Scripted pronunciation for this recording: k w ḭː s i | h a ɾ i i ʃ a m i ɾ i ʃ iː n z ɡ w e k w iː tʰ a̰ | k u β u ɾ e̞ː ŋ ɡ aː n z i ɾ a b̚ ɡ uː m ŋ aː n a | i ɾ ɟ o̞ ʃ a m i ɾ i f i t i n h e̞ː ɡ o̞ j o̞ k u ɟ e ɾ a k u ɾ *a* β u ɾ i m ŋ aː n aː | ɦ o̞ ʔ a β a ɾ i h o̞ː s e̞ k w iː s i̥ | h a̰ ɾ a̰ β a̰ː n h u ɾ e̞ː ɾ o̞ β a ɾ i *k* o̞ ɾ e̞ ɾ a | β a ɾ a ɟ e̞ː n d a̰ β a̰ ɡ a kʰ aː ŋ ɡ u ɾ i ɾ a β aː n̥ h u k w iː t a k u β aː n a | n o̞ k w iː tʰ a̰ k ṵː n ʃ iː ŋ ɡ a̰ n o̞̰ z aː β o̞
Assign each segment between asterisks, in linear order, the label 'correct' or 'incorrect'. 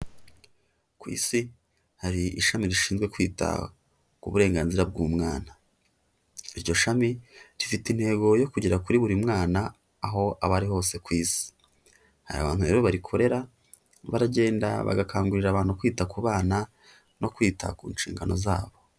incorrect, incorrect

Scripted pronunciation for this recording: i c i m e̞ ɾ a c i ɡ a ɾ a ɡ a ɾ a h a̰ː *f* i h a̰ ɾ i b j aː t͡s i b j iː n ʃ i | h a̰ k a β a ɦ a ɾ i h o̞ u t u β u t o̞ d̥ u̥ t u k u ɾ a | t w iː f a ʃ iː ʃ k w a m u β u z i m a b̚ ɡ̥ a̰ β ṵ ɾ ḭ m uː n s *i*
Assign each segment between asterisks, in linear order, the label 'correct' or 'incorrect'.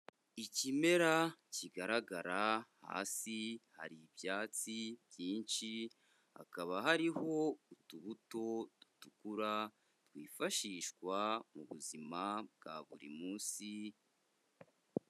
incorrect, correct

